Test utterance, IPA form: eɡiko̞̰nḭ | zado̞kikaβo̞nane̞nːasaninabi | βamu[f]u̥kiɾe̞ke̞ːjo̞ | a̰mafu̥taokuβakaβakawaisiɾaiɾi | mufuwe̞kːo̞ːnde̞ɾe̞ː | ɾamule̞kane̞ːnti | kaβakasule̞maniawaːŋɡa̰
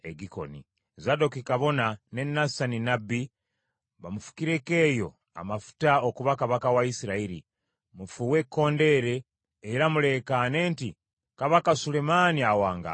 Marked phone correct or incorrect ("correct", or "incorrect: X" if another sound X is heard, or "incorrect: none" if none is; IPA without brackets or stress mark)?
correct